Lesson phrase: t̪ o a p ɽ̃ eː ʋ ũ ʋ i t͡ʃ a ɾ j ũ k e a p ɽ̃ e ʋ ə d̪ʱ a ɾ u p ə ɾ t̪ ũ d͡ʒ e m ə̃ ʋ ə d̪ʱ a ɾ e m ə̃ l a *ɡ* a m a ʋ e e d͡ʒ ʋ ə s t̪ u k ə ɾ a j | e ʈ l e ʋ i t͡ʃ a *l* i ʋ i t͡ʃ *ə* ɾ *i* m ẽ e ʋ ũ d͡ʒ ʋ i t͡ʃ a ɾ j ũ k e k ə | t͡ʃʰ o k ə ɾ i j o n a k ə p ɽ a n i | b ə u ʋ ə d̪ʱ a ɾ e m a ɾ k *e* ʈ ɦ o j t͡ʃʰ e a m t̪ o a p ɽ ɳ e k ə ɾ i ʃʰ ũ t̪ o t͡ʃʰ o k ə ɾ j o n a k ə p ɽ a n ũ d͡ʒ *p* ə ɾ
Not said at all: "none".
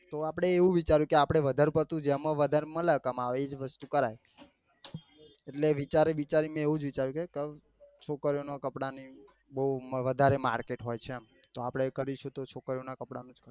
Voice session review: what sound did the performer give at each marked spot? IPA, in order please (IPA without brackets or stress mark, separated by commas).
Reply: k, ɾ, a, i, e, k